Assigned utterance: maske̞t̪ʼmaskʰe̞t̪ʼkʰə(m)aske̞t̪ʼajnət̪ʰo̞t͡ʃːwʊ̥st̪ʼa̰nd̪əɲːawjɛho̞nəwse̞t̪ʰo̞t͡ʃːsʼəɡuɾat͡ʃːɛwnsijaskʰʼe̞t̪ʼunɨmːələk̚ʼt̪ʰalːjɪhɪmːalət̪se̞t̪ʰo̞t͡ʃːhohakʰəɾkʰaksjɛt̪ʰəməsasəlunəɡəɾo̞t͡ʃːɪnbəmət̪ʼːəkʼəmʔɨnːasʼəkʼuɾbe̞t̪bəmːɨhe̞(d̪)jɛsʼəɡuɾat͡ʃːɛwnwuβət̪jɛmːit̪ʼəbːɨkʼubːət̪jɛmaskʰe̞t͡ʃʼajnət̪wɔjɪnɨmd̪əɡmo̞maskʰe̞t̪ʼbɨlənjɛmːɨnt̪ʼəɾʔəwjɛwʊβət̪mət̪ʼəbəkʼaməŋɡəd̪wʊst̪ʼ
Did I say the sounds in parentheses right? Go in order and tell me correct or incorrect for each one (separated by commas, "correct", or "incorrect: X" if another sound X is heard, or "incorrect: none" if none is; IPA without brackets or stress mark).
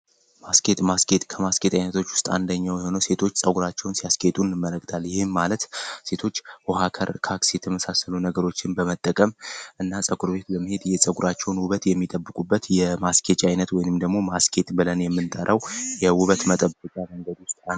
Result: correct, correct